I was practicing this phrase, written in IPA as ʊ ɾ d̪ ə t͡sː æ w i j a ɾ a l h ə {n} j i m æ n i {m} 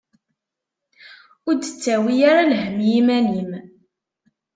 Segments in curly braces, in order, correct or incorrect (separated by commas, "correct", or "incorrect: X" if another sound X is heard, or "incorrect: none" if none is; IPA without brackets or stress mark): incorrect: m, correct